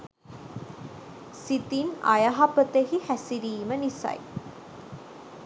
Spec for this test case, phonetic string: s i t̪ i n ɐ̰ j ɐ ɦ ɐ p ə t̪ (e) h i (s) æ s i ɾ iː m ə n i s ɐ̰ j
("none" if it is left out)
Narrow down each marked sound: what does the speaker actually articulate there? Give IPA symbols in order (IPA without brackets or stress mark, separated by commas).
e, h